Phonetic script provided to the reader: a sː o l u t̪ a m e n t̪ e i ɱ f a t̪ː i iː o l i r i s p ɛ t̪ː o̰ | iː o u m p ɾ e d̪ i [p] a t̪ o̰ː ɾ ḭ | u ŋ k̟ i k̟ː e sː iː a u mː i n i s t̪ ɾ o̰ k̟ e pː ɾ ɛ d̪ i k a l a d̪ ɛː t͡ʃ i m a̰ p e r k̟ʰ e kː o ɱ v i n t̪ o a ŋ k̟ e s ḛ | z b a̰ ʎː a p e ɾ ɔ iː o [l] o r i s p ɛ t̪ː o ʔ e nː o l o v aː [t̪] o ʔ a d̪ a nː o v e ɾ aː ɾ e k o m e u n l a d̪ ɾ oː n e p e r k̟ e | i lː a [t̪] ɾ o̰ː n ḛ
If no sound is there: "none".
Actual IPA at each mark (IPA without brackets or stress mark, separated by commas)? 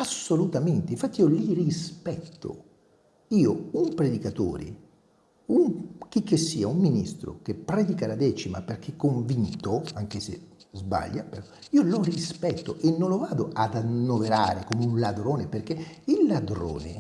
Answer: k, l, d̪, d̪